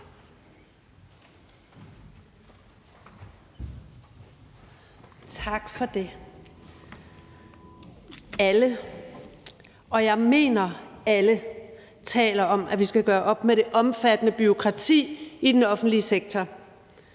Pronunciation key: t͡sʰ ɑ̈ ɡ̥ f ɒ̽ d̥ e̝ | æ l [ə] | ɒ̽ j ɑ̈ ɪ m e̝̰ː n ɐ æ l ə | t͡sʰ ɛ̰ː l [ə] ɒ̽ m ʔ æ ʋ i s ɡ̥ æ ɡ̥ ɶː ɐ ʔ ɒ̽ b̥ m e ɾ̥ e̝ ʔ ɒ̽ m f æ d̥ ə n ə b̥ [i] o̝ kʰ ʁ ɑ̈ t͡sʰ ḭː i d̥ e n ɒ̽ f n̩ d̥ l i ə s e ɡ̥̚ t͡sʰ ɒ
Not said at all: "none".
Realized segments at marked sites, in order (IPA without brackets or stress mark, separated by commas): ə, ɐ, y